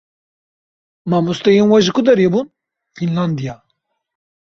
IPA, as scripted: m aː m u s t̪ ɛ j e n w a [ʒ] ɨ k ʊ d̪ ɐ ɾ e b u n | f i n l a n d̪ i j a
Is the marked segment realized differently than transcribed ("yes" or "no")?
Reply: no